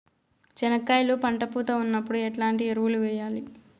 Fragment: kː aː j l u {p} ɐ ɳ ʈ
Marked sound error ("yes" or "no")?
no